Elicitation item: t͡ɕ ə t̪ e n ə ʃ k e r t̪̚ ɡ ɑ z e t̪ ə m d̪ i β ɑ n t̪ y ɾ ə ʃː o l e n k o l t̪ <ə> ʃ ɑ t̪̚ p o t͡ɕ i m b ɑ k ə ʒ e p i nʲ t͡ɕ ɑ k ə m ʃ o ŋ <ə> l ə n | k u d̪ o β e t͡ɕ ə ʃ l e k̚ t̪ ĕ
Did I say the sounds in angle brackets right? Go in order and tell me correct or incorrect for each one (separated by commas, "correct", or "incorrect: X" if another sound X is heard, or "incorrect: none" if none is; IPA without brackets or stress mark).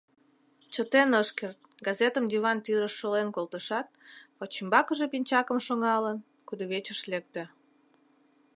correct, incorrect: ɑ